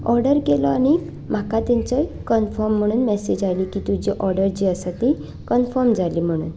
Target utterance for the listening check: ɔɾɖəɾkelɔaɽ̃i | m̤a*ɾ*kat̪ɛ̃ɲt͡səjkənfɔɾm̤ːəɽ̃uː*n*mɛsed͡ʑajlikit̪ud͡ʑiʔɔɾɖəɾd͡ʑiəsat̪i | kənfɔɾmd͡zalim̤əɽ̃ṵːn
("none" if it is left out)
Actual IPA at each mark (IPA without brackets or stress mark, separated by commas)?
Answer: none, n